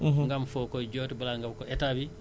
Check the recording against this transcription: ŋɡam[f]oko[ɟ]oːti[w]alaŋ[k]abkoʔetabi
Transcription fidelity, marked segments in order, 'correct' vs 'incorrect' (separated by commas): correct, correct, incorrect, incorrect